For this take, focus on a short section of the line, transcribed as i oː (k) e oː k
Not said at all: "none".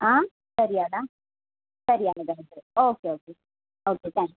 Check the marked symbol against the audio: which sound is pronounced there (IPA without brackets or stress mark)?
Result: k